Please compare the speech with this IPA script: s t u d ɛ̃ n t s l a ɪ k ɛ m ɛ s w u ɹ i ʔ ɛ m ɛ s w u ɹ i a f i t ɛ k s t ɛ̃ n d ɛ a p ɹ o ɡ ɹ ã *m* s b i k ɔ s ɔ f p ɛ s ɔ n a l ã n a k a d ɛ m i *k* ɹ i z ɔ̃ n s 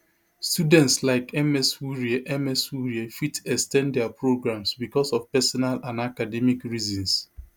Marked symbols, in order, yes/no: yes, yes

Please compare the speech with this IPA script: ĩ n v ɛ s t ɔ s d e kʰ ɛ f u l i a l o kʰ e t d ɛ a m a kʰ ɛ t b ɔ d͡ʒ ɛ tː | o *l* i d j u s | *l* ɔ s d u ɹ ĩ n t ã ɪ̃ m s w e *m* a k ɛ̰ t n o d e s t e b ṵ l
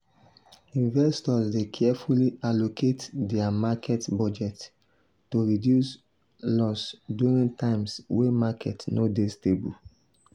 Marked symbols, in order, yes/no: no, yes, yes

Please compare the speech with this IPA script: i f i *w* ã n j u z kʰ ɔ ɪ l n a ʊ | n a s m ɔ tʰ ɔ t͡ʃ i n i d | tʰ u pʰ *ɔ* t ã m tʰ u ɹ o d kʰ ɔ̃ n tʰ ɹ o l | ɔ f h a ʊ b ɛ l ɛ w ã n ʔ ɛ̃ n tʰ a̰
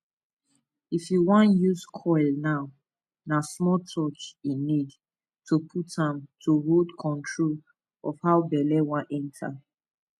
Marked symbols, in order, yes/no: yes, no

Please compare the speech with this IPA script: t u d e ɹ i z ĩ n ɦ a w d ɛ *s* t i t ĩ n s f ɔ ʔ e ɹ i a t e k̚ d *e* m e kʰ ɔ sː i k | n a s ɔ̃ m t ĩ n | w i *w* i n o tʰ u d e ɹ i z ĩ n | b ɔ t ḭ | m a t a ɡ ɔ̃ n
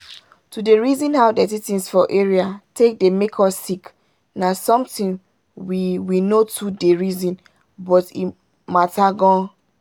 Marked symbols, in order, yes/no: no, yes, yes

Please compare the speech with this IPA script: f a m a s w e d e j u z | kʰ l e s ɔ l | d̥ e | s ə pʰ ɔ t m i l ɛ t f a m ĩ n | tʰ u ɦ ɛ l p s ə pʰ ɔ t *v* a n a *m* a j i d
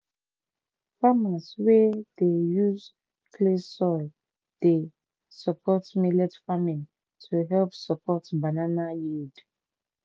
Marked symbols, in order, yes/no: no, no

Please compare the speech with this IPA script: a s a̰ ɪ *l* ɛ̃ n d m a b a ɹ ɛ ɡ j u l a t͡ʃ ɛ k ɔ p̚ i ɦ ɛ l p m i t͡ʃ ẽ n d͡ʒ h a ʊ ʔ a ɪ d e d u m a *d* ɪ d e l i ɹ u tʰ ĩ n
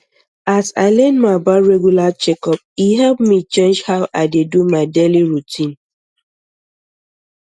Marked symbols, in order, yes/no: yes, no

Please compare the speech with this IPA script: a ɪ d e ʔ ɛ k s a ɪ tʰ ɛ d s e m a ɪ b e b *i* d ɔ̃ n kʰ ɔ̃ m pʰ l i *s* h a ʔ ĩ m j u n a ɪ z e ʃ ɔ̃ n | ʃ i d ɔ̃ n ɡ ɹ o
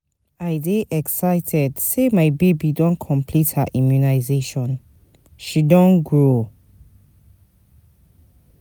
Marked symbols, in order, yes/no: yes, no

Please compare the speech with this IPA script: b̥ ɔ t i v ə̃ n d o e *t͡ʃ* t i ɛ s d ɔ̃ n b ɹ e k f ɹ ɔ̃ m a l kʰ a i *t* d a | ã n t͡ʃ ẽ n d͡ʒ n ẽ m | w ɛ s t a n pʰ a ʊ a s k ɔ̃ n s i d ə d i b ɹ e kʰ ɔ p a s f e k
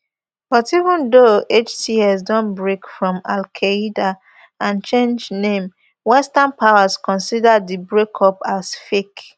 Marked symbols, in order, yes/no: yes, no

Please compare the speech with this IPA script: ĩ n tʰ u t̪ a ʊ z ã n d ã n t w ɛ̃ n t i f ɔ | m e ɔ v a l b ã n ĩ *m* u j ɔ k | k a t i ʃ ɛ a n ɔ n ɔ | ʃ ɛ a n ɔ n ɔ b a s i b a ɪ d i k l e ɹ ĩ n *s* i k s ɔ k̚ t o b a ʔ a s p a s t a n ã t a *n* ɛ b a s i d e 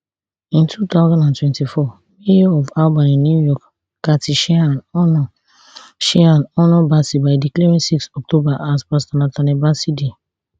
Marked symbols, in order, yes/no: no, yes, yes

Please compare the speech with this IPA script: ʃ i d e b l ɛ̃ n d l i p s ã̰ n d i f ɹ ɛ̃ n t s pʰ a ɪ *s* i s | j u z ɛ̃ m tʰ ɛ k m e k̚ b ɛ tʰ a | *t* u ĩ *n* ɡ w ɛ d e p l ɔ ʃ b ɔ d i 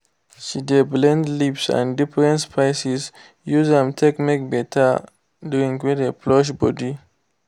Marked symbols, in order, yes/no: yes, no, no

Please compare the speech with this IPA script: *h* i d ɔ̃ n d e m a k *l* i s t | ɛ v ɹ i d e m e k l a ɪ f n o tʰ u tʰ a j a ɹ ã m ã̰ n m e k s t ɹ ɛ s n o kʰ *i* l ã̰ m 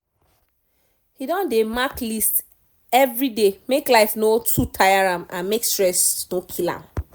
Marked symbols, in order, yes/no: yes, yes, yes

